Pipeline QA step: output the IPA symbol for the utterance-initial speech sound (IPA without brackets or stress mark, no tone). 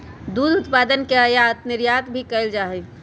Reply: d̪